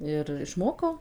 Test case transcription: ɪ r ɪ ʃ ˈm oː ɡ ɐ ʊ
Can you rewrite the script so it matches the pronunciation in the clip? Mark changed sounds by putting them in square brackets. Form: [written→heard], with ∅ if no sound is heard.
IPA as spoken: ɪ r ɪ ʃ ˈm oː [ɡ→k] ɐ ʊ